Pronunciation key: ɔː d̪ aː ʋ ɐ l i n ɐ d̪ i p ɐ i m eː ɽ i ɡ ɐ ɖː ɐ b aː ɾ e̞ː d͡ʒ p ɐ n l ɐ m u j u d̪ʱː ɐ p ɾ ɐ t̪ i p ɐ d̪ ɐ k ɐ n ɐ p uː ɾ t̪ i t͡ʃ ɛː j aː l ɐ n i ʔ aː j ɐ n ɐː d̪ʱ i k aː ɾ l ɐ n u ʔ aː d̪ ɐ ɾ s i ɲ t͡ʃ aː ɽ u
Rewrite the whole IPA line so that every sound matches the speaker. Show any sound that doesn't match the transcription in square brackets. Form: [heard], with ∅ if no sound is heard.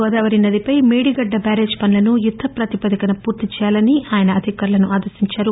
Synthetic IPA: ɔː d̪ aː ʋ ɐ [ɾ] i n ɐ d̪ i p ɐ [j] m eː ɽ i ɡ ɐ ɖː ɐ b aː ɾ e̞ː d͡ʒ p ɐ n l ɐ [n] u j u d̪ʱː ɐ p ɾ ɐ t̪ i p ɐ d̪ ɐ k ɐ n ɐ p uː ɾ t̪ i t͡ʃ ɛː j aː l ɐ n i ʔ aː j ɐ n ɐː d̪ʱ i k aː ɾ l ɐ n u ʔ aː d̪ ɐ ɾ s i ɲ t͡ʃ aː [ɾ] u